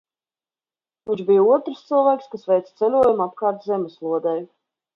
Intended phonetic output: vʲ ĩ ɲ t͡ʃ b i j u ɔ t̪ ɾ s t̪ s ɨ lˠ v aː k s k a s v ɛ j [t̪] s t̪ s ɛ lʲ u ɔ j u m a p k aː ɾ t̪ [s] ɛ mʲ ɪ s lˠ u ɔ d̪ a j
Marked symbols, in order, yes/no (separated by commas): yes, no